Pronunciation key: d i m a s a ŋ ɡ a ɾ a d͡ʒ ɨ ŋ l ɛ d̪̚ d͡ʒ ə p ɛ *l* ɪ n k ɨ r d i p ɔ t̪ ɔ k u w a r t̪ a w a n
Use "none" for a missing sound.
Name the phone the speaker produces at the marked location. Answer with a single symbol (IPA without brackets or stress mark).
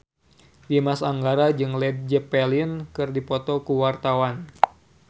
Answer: l